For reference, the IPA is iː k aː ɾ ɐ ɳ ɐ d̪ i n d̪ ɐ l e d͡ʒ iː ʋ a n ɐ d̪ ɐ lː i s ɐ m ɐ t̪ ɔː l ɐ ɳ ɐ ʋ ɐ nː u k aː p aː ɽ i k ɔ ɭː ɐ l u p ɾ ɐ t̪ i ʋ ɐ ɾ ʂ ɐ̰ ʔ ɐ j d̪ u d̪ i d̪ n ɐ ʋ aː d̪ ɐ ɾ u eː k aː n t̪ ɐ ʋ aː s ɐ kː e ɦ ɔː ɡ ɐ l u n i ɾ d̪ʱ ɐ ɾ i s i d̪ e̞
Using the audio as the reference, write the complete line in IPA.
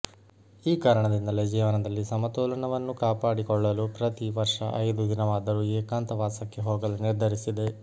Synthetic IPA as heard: iː k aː ɾ ɐ ɳ ɐ d̪ i n d̪ ɐ l e d͡ʒ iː ʋ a n ɐ d̪ ɐ lː i s ɐ m ɐ t̪ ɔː l ɐ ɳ ɐ ʋ ɐ nː u k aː p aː ɽ i k ɔ ɭː ɐ l u p ɾ ɐ t̪ i ʋ ɐ ɾ ʂ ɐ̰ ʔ ɐ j d̪ u d̪ i n ɐ ʋ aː d̪ ɐ ɾ u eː k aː n t̪ ɐ ʋ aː s ɐ kː e ɦ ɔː ɡ ɐ l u n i ɾ d̪ʱ ɐ ɾ i s i d̪ e̞

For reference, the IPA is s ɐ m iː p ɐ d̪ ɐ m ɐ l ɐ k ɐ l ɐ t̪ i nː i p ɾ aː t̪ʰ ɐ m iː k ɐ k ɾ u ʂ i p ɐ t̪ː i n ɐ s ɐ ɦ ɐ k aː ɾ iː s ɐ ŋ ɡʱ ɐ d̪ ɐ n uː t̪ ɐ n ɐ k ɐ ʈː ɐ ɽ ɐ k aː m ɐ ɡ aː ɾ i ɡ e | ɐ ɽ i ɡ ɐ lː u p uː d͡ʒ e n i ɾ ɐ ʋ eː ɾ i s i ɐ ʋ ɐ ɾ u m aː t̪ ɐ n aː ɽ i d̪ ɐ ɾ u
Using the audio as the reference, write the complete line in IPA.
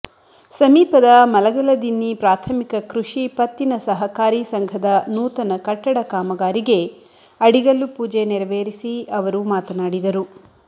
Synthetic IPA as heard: s ɐ m iː p ɐ d̪ ɐ m ɐ l ɐ ɡ ɐ l ɐ d̪ i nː i p ɾ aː t̪ʰ ɐ m i k ɐ k ɾ u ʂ i p ɐ t̪ː i n ɐ s ɐ ɦ ɐ k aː ɾ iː s ɐ ŋ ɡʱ ɐ d̪ ɐ n uː t̪ ɐ n ɐ k ɐ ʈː ɐ ɽ ɐ k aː m ɐ ɡ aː ɾ i ɡ e | ɐ ɽ i ɡ ɐ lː u p uː d͡ʒ e n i ɾ ɐ ʋ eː ɾ i s i ɐ ʋ ɐ ɾ u m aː t̪ ɐ n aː ɽ i d̪ ɐ ɾ u

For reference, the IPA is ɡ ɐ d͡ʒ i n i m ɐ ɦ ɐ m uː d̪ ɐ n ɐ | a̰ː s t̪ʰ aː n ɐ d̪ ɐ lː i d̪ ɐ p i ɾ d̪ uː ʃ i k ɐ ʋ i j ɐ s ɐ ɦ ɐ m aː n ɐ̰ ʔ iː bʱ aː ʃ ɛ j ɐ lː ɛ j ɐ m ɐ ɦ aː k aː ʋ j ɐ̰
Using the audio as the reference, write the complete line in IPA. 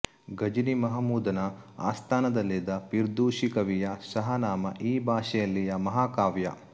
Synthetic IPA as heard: ɡ ɐ d͡ʒ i n i m ɐ ɦ ɐ m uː d̪ ɐ n ɐ | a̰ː s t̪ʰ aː n ɐ d̪ ɐ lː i d̪ ɐ p i ɾ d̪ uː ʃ i k ɐ ʋ i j ɐ s ɐ ɦ ɐ n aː m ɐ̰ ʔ iː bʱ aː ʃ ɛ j ɐ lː i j ɐ m ɐ ɦ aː k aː ʋ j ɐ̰

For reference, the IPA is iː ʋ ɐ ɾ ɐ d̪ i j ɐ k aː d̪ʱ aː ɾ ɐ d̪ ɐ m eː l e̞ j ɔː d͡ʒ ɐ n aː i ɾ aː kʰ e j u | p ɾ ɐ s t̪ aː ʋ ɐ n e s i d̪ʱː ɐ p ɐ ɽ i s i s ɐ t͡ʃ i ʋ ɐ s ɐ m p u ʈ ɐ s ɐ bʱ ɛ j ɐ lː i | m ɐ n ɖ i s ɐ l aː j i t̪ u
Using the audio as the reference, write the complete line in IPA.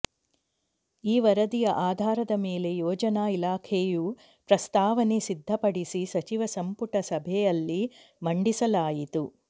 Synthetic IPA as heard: iː ʋ ɐ ɾ ɐ d̪ i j ɐ ʔ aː d̪ʱ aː ɾ ɐ d̪ ɐ m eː l e̞ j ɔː d͡ʒ ɐ n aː i l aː kʰ e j u | p ɾ ɐ s t̪ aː ʋ ɐ n e s i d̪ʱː ɐ p ɐ ɽ i s i s ɐ t͡ʃ i ʋ ɐ s ɐ m p u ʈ ɐ s ɐ bʱ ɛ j ɐ lː i | m ɐ ɳ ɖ i s ɐ l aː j i t̪ u

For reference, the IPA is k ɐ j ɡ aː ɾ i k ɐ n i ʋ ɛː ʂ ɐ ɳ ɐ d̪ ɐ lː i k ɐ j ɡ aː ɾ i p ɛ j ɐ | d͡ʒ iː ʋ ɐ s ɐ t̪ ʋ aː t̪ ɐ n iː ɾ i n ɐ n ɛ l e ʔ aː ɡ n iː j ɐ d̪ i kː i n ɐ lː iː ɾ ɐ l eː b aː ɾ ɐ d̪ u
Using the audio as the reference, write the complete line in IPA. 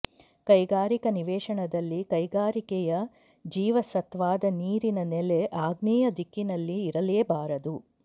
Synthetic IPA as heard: k ɐ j ɡ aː ɾ i k ɐ n i ʋ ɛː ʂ ɐ ɳ ɐ d̪ ɐ lː i k ɐ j ɡ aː ɾ i k ɛ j ɐ | d͡ʒ iː ʋ ɐ s ɐ t̪ ʋ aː d̪ ɐ n iː ɾ i n ɐ n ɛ l e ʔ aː ɡ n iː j ɐ d̪ i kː i n ɐ lː iː ɾ ɐ l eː b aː ɾ ɐ d̪ u

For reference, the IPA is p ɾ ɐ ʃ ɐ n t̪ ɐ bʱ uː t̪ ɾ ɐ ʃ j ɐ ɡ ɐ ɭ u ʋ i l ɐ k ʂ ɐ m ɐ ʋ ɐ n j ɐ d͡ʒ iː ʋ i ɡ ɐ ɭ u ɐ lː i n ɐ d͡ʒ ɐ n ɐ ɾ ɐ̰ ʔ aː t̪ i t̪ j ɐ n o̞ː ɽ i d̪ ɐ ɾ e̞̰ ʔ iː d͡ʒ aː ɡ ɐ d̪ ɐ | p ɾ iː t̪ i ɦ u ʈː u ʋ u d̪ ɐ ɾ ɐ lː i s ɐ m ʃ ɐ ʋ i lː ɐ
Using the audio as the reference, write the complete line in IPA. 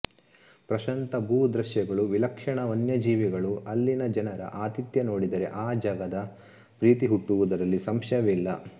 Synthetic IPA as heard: p ɾ ɐ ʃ ɐ n t̪ ɐ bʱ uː d̪ ɾ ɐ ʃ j ɐ ɡ ɐ ɭ u ʋ i l ɐ k ʂ ɐ ɳ ɐ ʋ ɐ n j ɐ d͡ʒ iː ʋ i ɡ ɐ ɭ u ɐ lː i n ɐ d͡ʒ ɐ n ɐ ɾ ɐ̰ ʔ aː t̪ i t̪ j ɐ n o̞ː ɽ i d̪ ɐ ɾ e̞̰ ʔ aː d͡ʒ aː ɡ ɐ d̪ ɐ | p ɾ iː t̪ i ɦ u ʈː u ʋ u d̪ ɐ ɾ ɐ lː i s ɐ m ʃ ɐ ʋ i lː ɐ

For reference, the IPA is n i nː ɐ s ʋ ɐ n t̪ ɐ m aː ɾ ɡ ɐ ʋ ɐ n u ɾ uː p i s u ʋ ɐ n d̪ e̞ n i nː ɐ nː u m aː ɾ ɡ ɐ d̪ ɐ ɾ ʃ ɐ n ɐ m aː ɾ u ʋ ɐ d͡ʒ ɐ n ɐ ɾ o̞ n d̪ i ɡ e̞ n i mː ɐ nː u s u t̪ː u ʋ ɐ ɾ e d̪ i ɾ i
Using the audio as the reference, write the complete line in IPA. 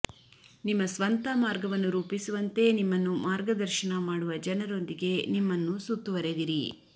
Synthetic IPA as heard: n i mː ɐ s ʋ ɐ n t̪ ɐ m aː ɾ ɡ ɐ ʋ ɐ nː u ɾ uː p i s u ʋ ɐ n t̪ e̞ n i mː ɐ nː u m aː ɾ ɡ ɐ d̪ ɐ ɾ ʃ ɐ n ɐ m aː ɽ u ʋ ɐ d͡ʒ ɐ n ɐ ɾ o̞ n d̪ i ɡ e̞ n i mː ɐ nː u s u t̪ː u ʋ ɐ ɾ e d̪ i ɾ i

